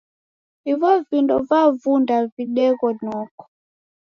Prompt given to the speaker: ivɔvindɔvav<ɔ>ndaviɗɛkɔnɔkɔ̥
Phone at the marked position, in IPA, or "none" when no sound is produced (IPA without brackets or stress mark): u